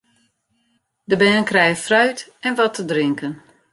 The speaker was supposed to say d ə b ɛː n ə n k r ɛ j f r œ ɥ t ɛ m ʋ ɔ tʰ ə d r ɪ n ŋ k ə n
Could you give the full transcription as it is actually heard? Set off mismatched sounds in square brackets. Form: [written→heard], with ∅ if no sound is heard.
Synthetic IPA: d ə b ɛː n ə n k r ɛ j f r œ ɥ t ɛ [m→n] ʋ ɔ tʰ ə d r ɪ [n→∅] ŋ k ə n